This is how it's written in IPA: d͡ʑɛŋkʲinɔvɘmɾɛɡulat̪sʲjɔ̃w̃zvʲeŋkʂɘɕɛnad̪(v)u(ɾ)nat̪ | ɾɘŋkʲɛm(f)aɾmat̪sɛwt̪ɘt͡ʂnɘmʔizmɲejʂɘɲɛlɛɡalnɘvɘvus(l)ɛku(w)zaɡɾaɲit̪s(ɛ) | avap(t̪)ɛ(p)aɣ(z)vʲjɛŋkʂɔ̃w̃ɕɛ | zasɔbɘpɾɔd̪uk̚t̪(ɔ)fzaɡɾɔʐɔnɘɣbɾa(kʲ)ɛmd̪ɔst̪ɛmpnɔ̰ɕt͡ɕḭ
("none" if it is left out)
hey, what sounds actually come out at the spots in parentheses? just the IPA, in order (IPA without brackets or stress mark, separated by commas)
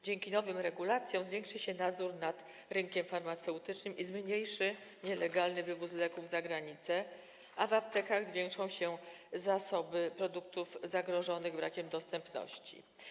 z, ɾ, f, l, v, ɛ, t̪, k, z, u, kʲ